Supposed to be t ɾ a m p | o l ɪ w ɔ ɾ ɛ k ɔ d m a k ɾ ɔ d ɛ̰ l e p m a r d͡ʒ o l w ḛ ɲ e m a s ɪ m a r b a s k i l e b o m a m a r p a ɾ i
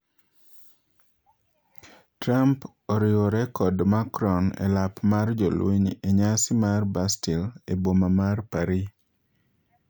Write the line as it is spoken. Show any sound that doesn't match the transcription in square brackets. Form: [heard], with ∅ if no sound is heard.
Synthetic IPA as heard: t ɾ a m p | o [ɾ] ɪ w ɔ ɾ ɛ k ɔ d m a k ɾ ɔ [n] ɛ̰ l [a] p m a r d͡ʒ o l w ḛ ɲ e [ɲ] a s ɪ m a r b a s [t] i l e b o m a m a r p a ɾ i